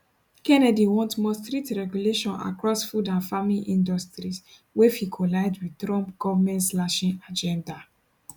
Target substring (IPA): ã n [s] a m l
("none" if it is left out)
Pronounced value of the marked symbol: f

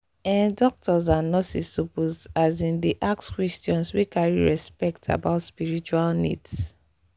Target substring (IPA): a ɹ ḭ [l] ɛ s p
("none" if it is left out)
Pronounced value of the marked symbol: ɹ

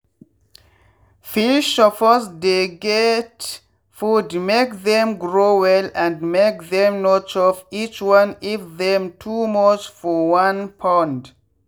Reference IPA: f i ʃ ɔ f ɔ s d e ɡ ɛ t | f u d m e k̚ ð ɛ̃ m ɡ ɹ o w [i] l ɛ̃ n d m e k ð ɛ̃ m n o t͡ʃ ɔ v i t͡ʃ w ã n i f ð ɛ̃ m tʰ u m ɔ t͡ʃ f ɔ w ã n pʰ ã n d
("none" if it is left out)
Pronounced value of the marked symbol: ɛ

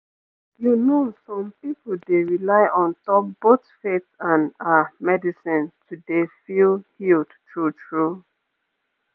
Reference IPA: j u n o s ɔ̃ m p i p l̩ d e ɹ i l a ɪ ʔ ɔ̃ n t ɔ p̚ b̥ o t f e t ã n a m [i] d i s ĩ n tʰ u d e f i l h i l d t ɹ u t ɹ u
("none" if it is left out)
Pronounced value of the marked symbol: ɛ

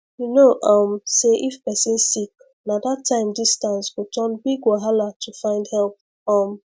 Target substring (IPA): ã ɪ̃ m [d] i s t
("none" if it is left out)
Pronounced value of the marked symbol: d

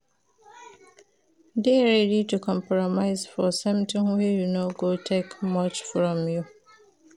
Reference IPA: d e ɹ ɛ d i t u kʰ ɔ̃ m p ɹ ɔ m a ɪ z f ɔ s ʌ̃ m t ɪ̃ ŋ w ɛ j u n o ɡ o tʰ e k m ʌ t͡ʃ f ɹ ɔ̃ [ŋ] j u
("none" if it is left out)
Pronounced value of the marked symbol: m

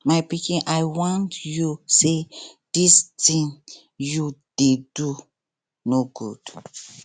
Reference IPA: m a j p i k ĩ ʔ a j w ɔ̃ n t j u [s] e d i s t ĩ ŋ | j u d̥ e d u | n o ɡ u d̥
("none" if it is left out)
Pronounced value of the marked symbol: s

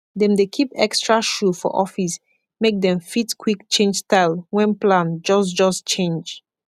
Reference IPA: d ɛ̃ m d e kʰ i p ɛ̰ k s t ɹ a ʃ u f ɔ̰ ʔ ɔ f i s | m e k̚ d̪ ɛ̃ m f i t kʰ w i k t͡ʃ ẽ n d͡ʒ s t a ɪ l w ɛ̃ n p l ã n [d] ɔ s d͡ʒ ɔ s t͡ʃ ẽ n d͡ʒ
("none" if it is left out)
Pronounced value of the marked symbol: d͡ʒ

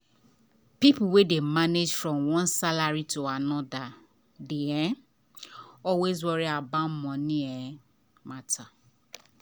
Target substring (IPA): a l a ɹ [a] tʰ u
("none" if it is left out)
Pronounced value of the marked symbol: i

